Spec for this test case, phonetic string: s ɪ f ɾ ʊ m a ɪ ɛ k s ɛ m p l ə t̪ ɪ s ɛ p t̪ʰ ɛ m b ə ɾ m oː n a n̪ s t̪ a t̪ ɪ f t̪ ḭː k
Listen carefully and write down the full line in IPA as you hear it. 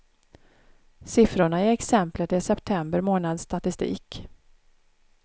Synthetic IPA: s ɪ f ɾ ʊ ɳ a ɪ ɛ k s ɛ m p l ə t̪ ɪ s ɛ p t̪ʰ ɛ m b ə ɾ m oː n a d̪ s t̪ a t̪ ɪ s t̪ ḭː k